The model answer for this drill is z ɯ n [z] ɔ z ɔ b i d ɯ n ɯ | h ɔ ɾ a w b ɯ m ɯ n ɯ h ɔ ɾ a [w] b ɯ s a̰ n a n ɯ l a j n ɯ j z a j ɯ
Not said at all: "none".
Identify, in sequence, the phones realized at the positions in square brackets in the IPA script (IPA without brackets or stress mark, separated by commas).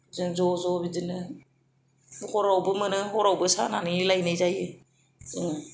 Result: z, w